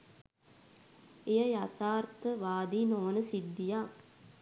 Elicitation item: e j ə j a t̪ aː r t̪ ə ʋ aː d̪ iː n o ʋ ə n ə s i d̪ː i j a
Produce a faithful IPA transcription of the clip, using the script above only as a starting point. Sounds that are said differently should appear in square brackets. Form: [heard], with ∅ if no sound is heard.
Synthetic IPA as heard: e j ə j a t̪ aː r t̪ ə ʋ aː d̪ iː n o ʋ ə n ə s i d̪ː i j a